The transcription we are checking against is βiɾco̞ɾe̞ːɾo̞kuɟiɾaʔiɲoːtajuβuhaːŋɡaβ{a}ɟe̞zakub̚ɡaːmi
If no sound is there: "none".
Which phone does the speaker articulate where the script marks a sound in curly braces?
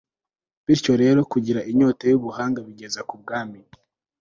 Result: i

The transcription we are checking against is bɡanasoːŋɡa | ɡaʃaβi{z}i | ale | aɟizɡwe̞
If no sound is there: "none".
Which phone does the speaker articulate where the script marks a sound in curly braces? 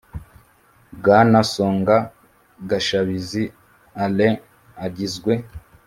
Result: z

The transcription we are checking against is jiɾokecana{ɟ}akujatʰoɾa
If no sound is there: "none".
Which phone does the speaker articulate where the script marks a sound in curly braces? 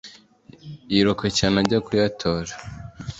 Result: ɟ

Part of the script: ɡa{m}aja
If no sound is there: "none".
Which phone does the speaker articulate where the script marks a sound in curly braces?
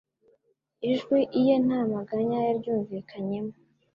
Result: ɲ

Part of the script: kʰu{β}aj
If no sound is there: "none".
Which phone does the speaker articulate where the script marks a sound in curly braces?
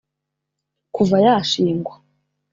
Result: v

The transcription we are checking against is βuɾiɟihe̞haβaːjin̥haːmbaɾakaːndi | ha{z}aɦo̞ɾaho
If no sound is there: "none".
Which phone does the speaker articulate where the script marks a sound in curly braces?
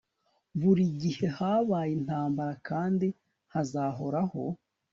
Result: z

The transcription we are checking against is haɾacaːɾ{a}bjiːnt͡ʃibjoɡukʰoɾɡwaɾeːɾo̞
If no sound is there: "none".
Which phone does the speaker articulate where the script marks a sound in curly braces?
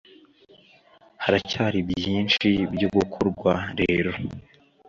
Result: i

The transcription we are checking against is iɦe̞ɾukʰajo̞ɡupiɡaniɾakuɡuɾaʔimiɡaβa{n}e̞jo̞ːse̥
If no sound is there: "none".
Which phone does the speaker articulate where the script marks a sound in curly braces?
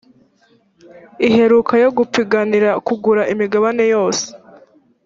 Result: n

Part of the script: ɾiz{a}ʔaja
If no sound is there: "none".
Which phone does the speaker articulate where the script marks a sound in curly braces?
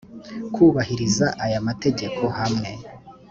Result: a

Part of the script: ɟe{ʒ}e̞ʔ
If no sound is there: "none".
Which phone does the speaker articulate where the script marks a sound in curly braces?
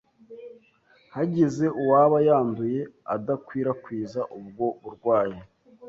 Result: z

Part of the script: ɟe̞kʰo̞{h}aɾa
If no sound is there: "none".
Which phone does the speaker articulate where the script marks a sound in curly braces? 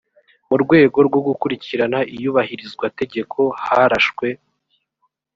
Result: h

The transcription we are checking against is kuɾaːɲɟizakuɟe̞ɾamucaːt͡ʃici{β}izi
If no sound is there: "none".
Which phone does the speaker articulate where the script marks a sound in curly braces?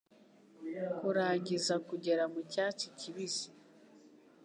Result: β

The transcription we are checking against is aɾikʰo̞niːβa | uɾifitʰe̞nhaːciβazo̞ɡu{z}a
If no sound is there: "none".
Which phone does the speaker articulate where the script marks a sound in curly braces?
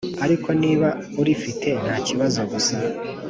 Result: s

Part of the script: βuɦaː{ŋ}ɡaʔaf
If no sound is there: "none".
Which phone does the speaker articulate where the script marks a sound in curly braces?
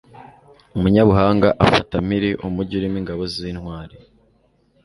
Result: ŋ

